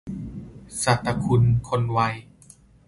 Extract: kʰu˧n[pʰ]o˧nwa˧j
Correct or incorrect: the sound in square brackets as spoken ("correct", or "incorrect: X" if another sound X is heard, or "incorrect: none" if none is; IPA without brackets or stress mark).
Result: incorrect: kʰ